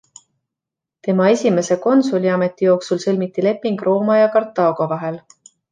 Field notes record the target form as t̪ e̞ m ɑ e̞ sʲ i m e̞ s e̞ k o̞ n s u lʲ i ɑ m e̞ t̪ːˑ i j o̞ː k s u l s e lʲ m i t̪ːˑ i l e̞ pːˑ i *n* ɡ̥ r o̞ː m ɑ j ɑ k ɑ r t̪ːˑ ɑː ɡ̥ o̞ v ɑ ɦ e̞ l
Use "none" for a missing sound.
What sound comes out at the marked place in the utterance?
ŋ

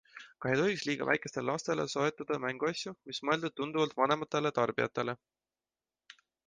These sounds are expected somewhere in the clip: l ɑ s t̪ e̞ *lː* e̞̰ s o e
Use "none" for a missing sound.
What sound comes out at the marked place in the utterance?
l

